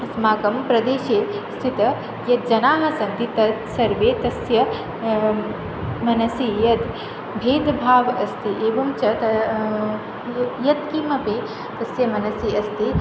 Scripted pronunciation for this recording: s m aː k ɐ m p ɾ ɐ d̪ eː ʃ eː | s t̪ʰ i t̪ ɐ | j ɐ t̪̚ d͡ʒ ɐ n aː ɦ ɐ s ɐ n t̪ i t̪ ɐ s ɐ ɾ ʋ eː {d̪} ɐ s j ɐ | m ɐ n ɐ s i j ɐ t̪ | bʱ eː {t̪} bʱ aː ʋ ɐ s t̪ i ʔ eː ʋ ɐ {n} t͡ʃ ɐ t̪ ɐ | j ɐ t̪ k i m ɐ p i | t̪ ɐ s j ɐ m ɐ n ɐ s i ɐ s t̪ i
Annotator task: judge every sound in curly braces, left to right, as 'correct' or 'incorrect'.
incorrect: t̪, incorrect: d̪, incorrect: m

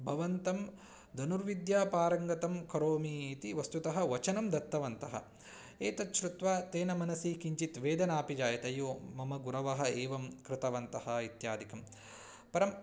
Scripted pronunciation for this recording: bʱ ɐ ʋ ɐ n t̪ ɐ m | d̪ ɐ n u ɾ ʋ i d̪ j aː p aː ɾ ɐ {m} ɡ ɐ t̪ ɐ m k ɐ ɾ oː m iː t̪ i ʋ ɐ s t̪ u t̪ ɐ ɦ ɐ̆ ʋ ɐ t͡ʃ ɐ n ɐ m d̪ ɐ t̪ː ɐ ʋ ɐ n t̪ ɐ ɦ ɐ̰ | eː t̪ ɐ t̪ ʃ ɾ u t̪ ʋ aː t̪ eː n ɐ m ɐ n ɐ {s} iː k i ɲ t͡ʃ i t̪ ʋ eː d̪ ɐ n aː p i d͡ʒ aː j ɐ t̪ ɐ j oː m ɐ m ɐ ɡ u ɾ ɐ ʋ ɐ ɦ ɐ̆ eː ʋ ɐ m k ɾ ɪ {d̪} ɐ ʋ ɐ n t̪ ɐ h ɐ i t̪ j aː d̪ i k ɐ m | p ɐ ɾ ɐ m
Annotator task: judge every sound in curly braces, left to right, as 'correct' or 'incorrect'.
incorrect: ŋ, correct, incorrect: t̪

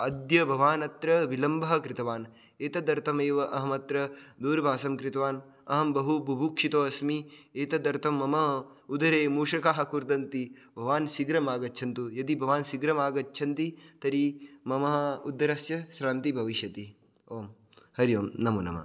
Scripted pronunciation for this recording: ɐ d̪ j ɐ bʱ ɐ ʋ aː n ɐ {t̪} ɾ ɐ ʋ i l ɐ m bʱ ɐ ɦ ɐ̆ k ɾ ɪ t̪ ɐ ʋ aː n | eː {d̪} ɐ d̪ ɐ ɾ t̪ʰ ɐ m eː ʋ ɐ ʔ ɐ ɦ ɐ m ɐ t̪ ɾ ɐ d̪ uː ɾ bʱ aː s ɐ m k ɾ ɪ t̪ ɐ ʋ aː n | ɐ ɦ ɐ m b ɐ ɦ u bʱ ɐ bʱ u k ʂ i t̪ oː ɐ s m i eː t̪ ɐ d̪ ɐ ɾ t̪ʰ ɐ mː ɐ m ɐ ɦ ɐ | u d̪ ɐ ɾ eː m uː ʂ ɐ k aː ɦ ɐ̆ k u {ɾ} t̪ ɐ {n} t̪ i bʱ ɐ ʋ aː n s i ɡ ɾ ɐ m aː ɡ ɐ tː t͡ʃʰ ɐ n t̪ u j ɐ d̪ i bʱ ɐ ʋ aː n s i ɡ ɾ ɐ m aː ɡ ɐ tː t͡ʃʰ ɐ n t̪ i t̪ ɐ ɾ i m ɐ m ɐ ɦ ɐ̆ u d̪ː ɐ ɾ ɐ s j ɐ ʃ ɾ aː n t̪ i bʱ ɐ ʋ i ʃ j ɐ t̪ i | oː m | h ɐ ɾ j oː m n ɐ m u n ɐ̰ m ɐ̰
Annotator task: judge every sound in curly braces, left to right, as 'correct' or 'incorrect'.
correct, incorrect: t̪, correct, correct

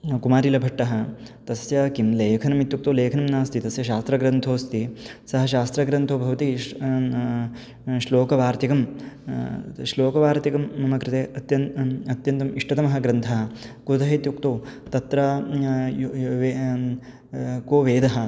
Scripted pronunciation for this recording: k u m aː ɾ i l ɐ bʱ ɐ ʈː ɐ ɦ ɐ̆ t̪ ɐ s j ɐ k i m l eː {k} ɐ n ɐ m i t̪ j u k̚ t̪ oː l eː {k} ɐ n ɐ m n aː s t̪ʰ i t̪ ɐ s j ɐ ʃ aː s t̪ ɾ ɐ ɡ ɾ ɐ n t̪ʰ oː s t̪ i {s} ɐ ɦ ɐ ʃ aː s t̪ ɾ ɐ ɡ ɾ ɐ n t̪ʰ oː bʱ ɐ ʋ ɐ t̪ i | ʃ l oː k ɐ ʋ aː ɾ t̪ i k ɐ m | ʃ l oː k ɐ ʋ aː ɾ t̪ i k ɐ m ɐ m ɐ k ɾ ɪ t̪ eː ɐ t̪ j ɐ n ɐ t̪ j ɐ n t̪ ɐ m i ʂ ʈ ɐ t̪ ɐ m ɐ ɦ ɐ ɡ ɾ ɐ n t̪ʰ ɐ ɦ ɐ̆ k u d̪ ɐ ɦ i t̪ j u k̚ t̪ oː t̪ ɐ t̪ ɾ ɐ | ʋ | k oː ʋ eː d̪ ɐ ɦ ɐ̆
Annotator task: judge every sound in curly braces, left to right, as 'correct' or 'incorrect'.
incorrect: kʰ, incorrect: kʰ, correct

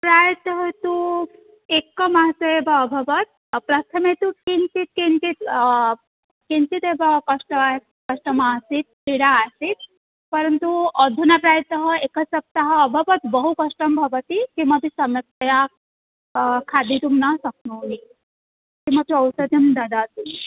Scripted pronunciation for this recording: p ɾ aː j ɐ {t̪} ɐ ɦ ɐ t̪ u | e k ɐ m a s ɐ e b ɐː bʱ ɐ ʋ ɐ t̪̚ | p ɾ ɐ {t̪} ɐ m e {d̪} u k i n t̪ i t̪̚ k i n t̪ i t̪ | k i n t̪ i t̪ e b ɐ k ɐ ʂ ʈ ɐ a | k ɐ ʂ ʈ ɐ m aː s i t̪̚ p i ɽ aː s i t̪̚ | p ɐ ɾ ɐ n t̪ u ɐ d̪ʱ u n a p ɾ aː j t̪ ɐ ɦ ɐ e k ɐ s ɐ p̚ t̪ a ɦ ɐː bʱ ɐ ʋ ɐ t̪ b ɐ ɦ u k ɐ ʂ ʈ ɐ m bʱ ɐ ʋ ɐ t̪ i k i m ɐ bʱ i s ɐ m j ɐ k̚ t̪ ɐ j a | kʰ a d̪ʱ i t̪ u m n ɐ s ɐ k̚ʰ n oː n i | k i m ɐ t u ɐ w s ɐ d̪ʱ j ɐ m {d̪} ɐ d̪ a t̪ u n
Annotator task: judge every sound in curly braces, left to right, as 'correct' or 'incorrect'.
correct, incorrect: t̪ʰ, incorrect: t̪, correct

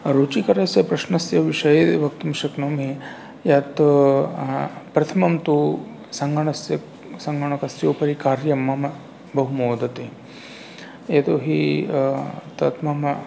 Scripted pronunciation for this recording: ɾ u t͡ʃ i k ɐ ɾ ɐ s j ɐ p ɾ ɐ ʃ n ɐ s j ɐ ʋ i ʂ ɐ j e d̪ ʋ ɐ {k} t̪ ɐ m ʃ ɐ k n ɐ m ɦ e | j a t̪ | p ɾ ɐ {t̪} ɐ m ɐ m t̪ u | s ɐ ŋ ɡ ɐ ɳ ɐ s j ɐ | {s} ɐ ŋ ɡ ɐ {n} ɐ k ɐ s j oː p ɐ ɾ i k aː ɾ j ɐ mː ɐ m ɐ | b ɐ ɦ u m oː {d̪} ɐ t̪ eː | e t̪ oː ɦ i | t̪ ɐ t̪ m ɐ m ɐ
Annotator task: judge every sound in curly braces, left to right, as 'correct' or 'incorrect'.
correct, incorrect: t̪ʰ, correct, incorrect: ɳ, correct

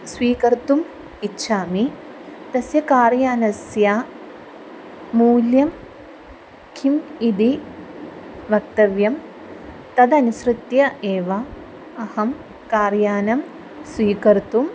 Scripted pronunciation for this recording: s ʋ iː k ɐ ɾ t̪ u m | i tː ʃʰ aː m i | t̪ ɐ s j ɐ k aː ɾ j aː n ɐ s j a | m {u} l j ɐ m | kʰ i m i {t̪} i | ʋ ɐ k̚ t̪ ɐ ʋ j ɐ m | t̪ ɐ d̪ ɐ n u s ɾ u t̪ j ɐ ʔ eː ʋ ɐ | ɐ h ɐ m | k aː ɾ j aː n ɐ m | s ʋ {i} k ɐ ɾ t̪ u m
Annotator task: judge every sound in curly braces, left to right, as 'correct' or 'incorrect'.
incorrect: uː, incorrect: d̪, incorrect: iː

